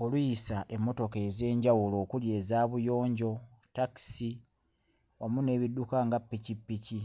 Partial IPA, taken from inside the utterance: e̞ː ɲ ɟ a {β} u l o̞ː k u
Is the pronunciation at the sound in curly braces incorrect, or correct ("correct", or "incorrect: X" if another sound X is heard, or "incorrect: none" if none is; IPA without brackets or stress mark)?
incorrect: w